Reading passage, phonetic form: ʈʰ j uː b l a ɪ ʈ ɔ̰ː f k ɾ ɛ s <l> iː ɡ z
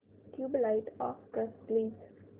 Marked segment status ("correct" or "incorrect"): correct